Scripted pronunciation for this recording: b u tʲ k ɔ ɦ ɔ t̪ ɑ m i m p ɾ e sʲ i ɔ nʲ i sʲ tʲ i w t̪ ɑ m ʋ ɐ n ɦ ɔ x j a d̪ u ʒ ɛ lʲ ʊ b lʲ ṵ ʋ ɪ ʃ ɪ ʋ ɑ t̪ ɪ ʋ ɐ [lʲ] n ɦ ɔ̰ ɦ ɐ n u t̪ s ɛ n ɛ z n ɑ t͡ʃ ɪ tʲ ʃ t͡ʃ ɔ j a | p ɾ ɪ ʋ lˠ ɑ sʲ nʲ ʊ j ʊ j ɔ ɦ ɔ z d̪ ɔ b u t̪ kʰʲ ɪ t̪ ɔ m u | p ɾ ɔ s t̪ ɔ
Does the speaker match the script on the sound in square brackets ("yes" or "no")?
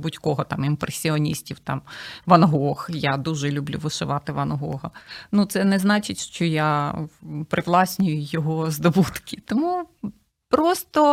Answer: no